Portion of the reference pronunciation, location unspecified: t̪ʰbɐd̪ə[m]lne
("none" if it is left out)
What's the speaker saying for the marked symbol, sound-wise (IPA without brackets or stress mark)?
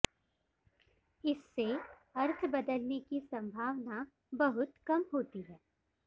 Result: none